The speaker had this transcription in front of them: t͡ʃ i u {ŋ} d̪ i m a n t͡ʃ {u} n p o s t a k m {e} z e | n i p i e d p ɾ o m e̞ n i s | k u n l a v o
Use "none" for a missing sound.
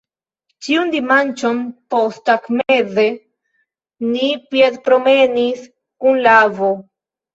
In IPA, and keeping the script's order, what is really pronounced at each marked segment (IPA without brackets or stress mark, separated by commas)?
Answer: n, o, e